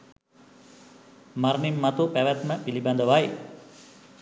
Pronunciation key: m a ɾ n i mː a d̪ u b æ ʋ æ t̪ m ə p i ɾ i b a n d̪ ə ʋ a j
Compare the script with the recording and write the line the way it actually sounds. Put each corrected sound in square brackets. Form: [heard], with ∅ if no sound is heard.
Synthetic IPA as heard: m a ɾ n i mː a [t̪] u [p] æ ʋ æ t̪ m ə p i [l] i b a n d̪ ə ʋ a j